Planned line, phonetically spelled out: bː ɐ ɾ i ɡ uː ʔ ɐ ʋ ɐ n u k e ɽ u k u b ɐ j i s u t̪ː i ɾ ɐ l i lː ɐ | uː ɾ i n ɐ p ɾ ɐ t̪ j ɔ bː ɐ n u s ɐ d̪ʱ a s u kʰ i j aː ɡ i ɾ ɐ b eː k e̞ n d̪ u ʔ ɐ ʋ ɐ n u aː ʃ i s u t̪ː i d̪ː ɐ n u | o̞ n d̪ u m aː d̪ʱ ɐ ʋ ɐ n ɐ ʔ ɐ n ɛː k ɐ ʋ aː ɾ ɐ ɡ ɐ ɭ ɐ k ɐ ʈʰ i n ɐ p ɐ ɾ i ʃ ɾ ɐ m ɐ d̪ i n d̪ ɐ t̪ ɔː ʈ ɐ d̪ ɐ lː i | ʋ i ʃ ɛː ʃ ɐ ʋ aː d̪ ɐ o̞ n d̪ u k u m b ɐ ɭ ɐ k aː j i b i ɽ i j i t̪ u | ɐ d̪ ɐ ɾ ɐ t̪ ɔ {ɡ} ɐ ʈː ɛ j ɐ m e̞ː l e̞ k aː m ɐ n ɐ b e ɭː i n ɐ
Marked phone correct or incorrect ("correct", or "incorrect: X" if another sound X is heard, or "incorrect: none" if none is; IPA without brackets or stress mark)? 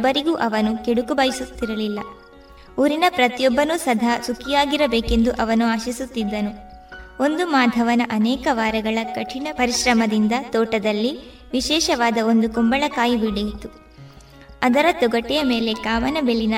correct